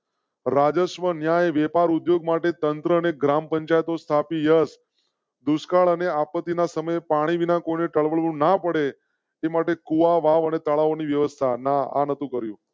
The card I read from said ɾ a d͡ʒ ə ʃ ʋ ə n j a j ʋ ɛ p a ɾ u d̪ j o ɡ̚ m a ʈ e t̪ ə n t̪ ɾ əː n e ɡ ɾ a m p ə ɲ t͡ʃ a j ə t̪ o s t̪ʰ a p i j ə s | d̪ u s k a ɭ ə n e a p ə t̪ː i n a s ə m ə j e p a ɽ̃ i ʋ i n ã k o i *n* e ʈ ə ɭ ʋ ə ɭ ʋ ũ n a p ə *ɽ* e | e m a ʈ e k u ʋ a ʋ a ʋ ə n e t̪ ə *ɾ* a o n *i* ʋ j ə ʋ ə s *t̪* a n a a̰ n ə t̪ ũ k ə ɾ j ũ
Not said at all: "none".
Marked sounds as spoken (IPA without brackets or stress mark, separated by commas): n, ɽ, ɭ, i, t̪ʰ